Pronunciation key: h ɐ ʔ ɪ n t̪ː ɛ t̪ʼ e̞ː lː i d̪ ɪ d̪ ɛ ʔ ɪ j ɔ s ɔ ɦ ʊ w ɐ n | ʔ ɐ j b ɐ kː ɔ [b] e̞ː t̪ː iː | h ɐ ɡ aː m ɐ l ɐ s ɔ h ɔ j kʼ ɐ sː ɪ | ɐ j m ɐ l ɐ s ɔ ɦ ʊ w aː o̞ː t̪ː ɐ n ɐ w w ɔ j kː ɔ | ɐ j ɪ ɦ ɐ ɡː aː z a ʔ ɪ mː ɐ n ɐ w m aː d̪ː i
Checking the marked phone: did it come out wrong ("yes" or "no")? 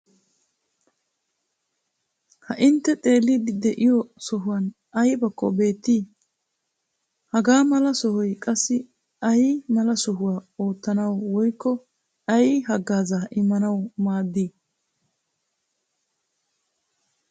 no